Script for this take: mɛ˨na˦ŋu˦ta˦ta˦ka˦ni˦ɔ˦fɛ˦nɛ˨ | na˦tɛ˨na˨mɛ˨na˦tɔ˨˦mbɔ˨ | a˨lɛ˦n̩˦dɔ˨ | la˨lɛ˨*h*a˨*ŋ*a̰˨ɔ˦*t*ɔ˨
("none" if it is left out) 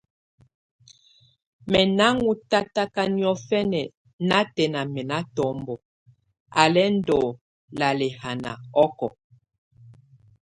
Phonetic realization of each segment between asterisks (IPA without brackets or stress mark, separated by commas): h, n, k